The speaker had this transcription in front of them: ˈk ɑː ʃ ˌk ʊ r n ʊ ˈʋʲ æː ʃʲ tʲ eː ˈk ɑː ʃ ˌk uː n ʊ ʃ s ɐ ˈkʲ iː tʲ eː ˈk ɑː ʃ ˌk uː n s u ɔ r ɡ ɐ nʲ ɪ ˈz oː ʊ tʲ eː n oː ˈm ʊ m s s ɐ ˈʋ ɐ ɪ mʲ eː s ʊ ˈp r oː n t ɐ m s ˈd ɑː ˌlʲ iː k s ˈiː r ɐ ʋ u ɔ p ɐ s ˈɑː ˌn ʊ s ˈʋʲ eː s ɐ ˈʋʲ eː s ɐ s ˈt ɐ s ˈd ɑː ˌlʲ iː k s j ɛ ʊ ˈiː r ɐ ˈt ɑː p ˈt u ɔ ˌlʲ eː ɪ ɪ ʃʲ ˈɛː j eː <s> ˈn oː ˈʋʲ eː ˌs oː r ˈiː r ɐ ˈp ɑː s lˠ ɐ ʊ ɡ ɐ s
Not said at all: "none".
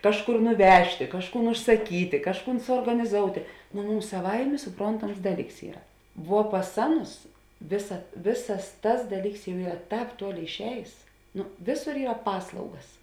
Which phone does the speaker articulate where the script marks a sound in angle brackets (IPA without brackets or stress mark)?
s